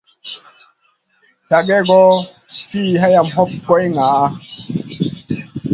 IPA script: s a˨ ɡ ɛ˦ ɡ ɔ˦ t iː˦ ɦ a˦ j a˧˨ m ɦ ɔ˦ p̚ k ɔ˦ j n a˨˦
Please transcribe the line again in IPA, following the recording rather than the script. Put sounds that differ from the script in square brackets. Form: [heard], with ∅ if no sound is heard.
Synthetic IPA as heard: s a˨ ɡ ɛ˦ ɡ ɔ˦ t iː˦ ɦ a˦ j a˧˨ m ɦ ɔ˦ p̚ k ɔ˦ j [ŋ] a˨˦